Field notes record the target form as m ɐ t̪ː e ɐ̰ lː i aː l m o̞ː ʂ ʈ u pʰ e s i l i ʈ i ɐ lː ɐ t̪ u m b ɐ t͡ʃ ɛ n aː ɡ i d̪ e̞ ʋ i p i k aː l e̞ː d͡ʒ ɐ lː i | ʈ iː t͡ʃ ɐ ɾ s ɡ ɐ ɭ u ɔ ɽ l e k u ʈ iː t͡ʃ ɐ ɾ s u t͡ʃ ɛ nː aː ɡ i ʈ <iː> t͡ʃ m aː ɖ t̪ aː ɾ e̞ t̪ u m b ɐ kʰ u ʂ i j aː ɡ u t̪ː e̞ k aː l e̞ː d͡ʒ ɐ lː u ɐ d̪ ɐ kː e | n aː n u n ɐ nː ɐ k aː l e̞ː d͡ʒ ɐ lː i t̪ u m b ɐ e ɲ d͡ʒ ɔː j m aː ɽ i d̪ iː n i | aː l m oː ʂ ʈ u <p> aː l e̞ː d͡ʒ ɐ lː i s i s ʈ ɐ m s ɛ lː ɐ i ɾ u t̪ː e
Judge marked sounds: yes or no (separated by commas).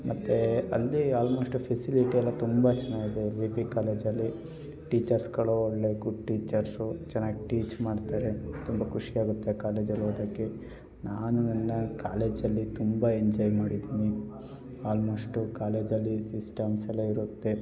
yes, no